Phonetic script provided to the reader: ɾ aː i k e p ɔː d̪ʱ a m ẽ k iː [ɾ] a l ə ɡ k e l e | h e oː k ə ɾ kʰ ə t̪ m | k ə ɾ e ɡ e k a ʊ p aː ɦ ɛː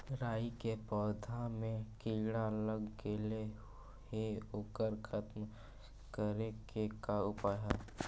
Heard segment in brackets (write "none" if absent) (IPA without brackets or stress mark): ɽ